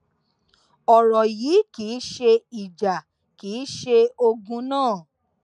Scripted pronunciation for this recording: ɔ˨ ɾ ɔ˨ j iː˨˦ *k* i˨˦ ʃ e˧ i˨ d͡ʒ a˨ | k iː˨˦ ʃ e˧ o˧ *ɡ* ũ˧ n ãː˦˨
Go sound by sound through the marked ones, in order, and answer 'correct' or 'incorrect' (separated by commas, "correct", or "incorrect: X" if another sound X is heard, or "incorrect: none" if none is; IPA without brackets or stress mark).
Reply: correct, correct